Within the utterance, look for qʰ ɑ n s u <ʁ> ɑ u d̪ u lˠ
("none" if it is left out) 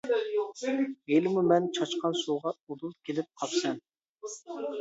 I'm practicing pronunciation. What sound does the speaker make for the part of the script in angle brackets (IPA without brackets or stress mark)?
ʁ